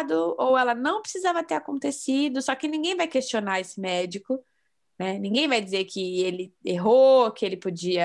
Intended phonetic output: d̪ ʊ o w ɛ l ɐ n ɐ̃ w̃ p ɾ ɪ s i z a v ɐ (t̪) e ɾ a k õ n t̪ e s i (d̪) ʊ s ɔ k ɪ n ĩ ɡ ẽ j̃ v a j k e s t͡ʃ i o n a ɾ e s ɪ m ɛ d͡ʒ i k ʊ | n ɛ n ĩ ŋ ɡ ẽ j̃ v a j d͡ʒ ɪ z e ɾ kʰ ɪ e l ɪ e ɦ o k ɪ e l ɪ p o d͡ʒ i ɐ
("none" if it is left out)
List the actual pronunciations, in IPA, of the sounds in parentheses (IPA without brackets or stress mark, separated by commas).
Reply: t̪, d̪